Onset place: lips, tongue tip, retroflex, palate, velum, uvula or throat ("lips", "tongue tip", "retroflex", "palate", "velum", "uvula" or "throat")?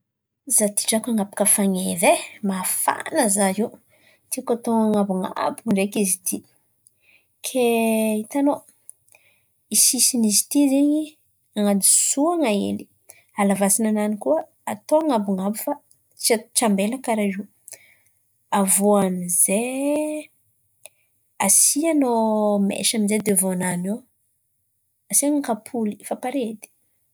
tongue tip